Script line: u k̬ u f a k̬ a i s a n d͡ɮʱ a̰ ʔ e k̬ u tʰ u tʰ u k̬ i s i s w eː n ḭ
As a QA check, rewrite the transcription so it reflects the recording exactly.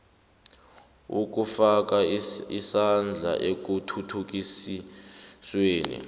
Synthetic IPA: u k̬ u f a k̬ a i s a n d͡ɮʱ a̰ ʔ e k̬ u tʰ u tʰ u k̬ i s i s w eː n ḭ